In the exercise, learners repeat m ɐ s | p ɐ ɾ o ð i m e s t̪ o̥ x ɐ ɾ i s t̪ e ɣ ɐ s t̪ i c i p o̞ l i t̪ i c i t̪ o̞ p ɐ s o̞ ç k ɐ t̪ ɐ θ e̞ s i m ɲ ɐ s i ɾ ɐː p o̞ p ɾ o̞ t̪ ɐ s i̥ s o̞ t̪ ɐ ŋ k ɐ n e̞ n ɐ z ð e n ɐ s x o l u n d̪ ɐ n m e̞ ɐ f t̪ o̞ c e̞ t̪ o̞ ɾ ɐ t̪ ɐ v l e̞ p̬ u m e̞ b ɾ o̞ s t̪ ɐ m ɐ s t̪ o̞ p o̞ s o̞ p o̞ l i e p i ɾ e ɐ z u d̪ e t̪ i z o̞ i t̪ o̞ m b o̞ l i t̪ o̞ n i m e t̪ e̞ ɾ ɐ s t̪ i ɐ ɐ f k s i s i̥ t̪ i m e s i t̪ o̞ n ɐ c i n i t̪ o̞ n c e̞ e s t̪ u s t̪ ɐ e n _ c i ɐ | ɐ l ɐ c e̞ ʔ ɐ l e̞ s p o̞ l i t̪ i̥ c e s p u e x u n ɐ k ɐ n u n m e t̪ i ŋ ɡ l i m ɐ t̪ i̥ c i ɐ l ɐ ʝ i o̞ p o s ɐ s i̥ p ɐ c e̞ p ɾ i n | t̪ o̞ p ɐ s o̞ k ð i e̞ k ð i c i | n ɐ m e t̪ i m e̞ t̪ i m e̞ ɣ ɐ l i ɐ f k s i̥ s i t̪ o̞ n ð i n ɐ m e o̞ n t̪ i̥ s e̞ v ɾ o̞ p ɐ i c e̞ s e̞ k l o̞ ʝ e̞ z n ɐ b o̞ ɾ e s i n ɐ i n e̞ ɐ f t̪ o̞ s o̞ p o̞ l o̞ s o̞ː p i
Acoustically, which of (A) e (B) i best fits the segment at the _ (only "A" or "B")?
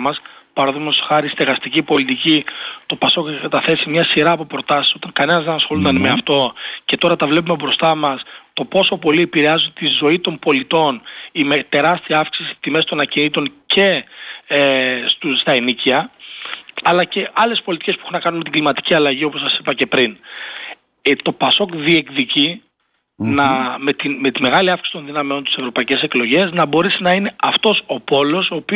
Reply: B